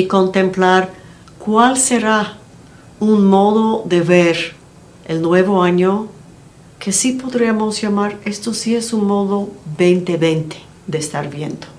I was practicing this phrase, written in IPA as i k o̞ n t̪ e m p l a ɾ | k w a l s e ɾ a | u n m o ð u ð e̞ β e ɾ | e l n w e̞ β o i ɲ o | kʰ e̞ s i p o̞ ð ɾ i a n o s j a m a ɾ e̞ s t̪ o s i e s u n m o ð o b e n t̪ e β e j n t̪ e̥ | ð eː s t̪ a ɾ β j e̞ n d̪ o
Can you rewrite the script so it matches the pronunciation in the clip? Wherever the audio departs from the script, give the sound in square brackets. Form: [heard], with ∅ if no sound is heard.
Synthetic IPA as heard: i k o̞ n t̪ e m p l a ɾ | k w a l s e ɾ a | u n m o ð [o] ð e̞ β e ɾ | e l n w e̞ β o [a] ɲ o | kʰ e̞ s i p o̞ ð ɾ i a [m] o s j a m a ɾ e̞ s t̪ o s i e s u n m o ð o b e n t̪ e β e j n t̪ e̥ | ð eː s t̪ a ɾ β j e̞ n d̪ o

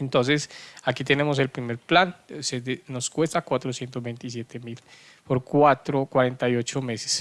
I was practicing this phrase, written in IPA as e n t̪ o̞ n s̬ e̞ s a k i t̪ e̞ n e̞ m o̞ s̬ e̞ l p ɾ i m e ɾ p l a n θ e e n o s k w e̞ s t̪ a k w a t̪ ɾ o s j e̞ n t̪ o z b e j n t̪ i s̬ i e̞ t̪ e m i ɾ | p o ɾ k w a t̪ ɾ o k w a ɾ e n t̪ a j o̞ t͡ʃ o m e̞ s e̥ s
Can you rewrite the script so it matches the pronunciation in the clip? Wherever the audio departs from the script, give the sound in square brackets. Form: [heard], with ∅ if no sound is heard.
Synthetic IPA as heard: e n t̪ o̞ n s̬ e̞ s a k i t̪ e̞ n e̞ m o̞ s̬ e̞ l p ɾ i m e ɾ p l a n [s] e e n o s k w e̞ s t̪ a k w a t̪ ɾ o s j e̞ n t̪ o z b e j n t̪ i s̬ [j] e̞ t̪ e m i [l] | p o ɾ k w a t̪ ɾ o k w a ɾ e n t̪ a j o̞ t͡ʃ o m e̞ s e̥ s

